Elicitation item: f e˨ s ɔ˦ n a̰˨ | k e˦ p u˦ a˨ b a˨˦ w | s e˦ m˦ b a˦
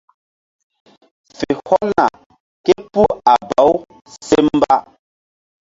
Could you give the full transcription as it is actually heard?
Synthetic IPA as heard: f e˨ h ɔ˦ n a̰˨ | k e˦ p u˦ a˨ b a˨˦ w | s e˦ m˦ b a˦